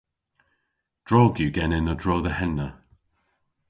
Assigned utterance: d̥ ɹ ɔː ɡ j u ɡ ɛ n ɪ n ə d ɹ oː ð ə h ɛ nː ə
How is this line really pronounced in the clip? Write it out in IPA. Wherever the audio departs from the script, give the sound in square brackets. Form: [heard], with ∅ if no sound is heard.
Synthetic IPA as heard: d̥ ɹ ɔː ɡ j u ɡ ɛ n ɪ n ə d ɹ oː ð ə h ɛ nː ə